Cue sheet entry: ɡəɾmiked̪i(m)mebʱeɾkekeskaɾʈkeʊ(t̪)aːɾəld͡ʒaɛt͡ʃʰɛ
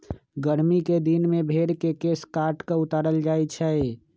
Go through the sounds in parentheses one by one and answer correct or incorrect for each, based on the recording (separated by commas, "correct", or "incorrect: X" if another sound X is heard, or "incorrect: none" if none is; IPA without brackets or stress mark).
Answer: incorrect: n, correct